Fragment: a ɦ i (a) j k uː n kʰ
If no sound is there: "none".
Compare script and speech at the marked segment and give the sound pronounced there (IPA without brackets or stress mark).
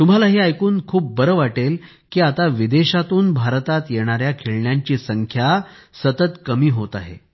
a